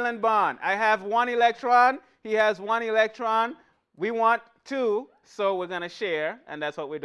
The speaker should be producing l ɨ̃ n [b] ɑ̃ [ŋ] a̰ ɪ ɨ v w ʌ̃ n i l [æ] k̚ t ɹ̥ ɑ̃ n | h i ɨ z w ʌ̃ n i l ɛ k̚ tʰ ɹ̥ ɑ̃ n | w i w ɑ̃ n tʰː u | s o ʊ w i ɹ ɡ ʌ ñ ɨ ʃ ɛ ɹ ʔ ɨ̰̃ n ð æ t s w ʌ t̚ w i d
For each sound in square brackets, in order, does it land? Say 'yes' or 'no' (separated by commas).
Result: yes, no, no